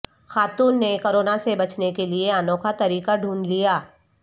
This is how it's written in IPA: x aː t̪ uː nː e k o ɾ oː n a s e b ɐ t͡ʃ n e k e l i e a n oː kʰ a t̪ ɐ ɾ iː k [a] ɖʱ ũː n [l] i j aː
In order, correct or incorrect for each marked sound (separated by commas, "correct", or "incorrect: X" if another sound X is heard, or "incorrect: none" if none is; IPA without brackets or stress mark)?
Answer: correct, correct